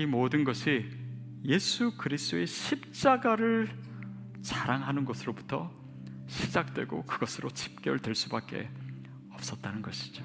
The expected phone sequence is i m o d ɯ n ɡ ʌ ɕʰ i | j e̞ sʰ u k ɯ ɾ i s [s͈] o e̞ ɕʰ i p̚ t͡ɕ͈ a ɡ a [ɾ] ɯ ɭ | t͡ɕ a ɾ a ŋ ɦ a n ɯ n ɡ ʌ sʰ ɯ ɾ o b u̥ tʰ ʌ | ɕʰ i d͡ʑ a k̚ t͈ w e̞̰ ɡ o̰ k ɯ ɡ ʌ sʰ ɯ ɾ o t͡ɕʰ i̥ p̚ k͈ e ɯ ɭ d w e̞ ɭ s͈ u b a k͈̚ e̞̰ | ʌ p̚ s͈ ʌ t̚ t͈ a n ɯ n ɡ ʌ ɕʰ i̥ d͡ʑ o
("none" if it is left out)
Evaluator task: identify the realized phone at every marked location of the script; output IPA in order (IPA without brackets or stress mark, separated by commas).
t͈, ɾ